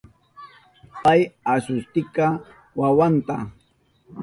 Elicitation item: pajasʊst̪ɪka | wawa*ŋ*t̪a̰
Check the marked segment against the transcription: incorrect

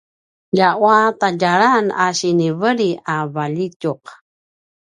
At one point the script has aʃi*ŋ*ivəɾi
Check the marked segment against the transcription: incorrect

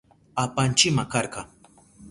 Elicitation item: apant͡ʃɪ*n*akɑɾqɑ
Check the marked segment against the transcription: incorrect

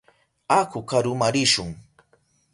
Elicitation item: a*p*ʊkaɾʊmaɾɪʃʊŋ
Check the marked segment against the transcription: incorrect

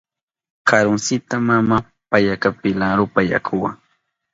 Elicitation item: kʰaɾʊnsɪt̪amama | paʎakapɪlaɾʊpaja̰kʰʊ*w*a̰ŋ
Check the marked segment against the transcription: correct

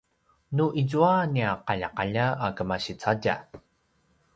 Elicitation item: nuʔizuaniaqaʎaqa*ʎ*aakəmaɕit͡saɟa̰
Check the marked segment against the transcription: correct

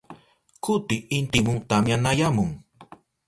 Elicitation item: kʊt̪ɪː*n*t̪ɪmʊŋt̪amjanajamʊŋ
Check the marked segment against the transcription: correct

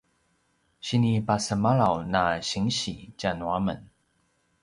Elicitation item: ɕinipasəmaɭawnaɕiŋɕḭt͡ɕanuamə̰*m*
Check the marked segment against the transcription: incorrect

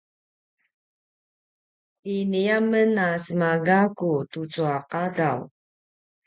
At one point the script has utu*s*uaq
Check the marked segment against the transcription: incorrect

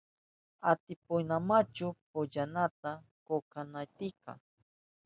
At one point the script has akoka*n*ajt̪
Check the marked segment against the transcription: correct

